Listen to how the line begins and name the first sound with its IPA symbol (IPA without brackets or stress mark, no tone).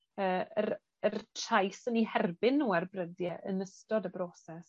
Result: əː